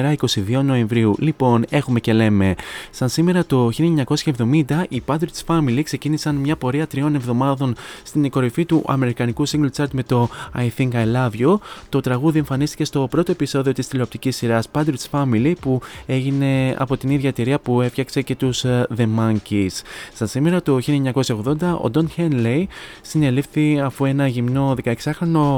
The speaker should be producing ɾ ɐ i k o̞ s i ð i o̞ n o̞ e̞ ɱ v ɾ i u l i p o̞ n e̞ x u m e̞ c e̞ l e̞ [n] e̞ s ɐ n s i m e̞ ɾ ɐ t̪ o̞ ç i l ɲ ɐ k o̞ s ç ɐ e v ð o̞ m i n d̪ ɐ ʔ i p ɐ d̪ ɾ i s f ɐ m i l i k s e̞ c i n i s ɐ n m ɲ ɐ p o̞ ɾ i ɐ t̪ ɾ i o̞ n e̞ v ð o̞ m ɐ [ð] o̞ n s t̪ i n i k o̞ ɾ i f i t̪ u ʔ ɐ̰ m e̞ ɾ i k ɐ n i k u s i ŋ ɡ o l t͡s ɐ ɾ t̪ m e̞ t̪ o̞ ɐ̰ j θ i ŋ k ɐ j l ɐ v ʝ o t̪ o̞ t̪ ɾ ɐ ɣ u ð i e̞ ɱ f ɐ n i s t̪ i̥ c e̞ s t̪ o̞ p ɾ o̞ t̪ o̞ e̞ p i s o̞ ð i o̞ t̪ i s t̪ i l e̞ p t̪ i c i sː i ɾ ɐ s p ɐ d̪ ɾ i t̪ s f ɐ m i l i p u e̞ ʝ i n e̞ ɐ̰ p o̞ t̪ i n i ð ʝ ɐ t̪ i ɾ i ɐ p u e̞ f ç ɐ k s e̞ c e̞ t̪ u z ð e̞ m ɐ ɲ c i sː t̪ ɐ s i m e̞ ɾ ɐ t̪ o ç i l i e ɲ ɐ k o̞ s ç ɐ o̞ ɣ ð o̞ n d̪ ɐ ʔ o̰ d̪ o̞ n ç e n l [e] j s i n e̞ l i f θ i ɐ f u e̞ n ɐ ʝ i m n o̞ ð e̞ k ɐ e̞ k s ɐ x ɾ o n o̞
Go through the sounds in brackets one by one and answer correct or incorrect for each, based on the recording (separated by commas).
incorrect, correct, correct